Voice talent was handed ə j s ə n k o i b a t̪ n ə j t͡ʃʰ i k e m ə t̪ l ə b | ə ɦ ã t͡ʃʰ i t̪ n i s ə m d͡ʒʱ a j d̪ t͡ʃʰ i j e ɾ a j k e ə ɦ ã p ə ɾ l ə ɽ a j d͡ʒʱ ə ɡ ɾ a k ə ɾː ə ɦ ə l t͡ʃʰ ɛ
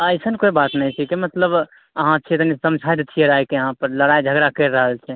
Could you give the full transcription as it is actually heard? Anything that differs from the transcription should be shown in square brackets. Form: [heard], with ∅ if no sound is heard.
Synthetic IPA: ə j s ə n k o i b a t̪ n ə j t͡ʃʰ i k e m ə t̪ l ə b | ə ɦ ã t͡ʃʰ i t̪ n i s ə m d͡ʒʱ a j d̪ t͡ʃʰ i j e ɾ a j k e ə ɦ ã p ə ɾ l ə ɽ a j d͡ʒʱ ə ɡ ɾ a k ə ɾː ə ɦ ə l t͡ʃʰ ɛ